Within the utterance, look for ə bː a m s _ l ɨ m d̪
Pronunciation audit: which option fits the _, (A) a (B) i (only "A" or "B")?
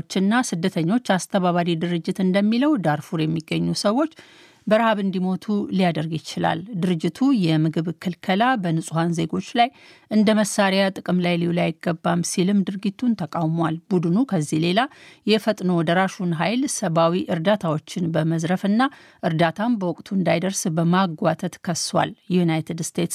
B